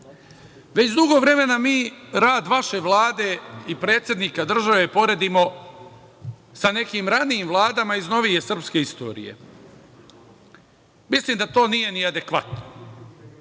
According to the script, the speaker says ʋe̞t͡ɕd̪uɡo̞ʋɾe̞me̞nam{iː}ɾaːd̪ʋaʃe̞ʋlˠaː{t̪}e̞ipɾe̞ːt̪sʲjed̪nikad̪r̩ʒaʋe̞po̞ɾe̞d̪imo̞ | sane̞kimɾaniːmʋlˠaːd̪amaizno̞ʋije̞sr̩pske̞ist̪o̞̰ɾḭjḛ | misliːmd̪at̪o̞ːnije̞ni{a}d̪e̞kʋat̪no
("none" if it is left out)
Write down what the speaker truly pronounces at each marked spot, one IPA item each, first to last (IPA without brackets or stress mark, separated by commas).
iː, d̪, a